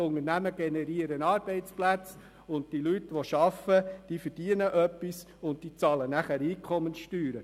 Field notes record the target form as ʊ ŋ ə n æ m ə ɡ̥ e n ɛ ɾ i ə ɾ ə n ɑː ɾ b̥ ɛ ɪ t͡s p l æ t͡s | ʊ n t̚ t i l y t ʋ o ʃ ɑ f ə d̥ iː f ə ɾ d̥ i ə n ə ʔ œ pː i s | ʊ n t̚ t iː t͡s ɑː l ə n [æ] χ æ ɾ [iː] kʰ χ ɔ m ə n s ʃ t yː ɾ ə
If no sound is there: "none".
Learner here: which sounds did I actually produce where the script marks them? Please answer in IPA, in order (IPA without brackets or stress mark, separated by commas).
æ, iː